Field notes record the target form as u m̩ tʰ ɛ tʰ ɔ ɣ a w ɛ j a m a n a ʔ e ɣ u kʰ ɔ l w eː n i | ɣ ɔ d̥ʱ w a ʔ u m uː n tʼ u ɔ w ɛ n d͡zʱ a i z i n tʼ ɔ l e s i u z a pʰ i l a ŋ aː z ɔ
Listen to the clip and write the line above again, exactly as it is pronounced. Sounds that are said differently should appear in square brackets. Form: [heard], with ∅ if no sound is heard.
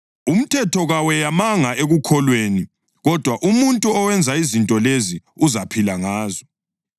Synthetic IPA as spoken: u m̩ tʰ ɛ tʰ ɔ ɣ a w ɛ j a m a [ŋ] a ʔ e ɣ u kʰ ɔ l w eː n i | ɣ ɔ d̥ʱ w a ʔ u m [u] n tʼ u ɔ w ɛ n d͡zʱ a i z i n tʼ ɔ l e [z] i u z a pʰ i l a ŋ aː z ɔ